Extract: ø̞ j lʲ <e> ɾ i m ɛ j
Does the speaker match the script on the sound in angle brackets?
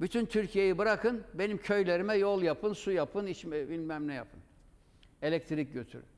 yes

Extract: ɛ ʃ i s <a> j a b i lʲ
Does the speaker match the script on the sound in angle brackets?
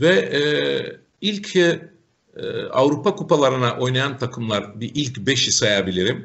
yes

